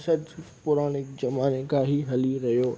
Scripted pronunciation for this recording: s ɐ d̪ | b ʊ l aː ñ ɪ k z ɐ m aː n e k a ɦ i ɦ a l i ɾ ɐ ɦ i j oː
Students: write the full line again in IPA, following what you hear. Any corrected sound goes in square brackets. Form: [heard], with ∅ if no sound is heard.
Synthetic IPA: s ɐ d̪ | [p] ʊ [ɾ] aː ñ ɪ k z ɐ m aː n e k a ɦ i ɦ [ɐ] l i ɾ ɐ ɦ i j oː